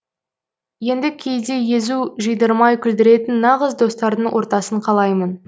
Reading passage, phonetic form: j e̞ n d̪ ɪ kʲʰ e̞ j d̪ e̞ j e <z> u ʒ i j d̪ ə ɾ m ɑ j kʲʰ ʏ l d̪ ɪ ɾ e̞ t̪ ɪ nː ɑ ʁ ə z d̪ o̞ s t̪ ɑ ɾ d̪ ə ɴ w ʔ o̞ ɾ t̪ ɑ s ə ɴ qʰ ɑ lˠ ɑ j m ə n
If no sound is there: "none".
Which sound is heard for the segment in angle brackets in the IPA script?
z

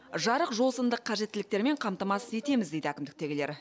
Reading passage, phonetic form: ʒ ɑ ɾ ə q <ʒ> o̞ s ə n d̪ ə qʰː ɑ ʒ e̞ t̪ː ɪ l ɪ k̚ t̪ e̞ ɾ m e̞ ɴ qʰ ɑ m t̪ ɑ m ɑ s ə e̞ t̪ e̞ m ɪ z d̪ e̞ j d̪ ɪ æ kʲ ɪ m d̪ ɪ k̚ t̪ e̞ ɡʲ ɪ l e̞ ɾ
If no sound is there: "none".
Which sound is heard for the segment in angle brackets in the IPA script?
ʒ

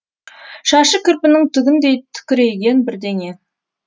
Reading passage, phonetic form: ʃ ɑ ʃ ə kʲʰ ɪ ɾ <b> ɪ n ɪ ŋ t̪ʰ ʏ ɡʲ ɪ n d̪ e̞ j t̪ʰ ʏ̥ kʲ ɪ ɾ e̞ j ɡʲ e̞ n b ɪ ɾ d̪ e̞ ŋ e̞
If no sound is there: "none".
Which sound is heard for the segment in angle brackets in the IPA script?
p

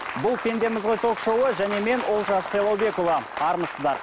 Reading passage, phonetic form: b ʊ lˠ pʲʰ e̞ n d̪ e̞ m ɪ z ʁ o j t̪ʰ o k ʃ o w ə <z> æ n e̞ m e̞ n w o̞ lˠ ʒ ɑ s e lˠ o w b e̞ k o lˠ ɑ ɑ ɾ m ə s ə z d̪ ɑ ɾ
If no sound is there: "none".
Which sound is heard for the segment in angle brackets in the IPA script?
ʒ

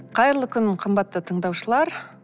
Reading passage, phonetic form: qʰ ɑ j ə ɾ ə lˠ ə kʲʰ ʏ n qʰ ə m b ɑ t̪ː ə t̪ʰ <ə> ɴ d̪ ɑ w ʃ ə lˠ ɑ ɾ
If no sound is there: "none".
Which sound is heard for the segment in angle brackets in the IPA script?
ə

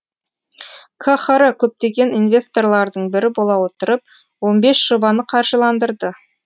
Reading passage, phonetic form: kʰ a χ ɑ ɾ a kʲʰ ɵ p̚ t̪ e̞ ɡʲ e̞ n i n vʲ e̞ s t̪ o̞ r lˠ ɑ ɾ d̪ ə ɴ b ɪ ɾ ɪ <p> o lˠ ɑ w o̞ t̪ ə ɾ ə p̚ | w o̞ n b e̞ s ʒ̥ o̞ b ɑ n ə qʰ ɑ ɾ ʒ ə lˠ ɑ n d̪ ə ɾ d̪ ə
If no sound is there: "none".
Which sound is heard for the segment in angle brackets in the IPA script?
b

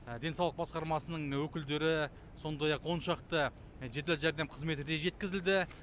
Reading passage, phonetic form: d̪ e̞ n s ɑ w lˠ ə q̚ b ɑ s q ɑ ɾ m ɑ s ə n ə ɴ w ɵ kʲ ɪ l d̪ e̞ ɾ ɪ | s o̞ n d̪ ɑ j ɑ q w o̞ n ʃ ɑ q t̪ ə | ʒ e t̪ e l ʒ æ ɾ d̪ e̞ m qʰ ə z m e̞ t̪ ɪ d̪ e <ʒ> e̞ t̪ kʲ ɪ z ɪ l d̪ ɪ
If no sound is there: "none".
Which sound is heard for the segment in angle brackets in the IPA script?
ʒ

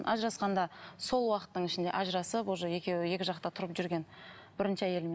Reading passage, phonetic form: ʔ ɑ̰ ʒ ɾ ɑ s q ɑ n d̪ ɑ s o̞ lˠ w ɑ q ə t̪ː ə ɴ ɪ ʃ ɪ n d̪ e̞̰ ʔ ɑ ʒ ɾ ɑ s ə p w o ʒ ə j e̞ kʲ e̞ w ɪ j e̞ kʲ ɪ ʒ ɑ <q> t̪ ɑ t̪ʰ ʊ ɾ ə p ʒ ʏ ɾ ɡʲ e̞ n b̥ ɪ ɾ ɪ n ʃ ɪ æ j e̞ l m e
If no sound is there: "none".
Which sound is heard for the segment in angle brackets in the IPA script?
q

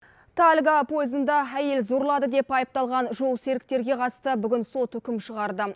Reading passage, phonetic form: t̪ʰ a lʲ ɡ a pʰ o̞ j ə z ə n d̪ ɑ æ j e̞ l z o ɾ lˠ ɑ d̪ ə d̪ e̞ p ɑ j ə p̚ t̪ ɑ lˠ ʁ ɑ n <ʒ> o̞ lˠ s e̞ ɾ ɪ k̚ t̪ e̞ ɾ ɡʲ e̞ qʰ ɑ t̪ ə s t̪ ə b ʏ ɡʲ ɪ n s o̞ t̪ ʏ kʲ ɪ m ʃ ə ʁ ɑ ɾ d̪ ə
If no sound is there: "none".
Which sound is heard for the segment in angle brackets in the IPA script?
ʒ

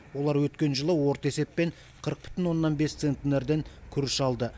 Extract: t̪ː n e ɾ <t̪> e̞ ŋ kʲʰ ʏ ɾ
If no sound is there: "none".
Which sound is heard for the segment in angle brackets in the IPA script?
d̪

